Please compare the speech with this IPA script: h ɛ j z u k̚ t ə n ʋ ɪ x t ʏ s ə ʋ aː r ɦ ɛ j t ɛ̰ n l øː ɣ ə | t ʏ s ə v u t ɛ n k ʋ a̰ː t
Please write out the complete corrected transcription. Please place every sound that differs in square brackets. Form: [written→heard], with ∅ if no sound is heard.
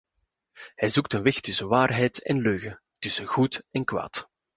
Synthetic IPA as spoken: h ɛ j z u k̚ t ə n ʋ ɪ x t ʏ s ə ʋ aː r ɦ ɛ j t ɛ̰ n l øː ɣ ə | t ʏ s ə [v→ɣ] u t ɛ n k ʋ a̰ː t